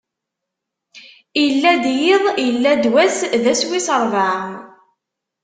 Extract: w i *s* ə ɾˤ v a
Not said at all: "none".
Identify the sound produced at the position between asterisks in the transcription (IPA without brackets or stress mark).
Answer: s